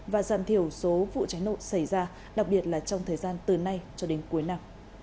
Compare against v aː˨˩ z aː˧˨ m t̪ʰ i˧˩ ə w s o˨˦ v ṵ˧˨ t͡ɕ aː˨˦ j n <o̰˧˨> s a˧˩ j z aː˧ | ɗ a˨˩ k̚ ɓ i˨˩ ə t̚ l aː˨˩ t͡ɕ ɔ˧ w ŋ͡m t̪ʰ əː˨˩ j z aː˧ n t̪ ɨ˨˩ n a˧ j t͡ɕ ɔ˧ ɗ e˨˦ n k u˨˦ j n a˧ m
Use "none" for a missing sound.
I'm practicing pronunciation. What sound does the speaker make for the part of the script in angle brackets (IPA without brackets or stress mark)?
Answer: o̰˧˨